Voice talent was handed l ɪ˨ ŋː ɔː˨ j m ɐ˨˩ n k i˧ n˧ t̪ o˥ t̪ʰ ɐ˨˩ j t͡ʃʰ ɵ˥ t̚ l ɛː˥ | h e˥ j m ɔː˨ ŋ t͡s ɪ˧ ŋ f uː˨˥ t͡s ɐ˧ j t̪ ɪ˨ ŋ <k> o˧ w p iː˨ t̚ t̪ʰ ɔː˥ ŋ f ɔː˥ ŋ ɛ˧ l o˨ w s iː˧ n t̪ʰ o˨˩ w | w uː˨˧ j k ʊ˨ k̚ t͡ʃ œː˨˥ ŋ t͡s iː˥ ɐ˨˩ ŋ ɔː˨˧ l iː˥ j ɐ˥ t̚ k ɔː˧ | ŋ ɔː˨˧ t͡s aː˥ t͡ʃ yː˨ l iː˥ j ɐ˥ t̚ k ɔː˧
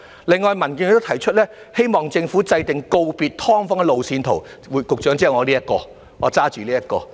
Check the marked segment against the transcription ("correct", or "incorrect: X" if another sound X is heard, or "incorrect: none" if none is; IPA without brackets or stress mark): correct